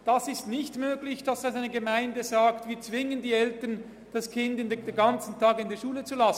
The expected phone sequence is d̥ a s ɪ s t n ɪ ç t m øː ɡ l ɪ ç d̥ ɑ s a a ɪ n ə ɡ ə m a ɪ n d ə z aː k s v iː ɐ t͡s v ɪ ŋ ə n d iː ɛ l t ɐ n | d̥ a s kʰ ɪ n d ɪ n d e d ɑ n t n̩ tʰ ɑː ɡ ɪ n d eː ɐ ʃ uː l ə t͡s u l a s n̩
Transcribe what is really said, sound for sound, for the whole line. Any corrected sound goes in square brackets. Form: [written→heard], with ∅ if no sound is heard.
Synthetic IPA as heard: d̥ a s ɪ s t n ɪ ç t m øː ɡ l ɪ ç d̥ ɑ s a a ɪ n ə ɡ ə m a ɪ n d ə z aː k [s→t] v iː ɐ t͡s v ɪ ŋ ə n d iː ɛ l t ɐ n | d̥ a s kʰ ɪ n d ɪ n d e [d→ɡ] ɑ n [t→t͡s] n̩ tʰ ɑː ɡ ɪ n d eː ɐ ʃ uː l ə t͡s u l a s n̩